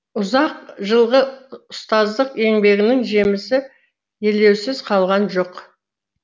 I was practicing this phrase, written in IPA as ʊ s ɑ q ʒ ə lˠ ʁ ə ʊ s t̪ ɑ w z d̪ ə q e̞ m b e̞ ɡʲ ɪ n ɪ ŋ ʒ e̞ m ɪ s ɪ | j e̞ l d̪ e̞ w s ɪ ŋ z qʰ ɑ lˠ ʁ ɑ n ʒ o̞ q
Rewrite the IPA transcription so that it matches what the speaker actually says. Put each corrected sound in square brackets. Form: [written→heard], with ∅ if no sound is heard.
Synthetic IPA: ʊ [s→z] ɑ q ʒ ə lˠ ʁ ə ʊ s t̪ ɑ [w→∅] z d̪ ə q e̞ [m→ŋ] b e̞ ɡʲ ɪ n ɪ ŋ ʒ e̞ m ɪ s ɪ | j e̞ l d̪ e̞ w s ɪ [ŋ→∅] z qʰ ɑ lˠ ʁ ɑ n ʒ o̞ q